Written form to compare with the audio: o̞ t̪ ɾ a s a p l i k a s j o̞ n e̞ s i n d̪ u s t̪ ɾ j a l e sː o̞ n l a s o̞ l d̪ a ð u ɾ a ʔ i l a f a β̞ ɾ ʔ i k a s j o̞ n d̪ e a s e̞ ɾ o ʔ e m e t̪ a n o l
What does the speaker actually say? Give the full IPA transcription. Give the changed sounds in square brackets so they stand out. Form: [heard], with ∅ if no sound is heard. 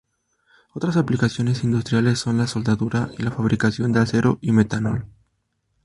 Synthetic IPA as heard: o̞ t̪ ɾ a s a p l i k a s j o̞ n e̞ s i n d̪ u s t̪ ɾ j a l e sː o̞ n l a s o̞ l d̪ a ð u ɾ a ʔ i l a f a β̞ ɾ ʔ i k a s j o̞ n d̪ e a s e̞ ɾ o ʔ [i] m e t̪ a n o l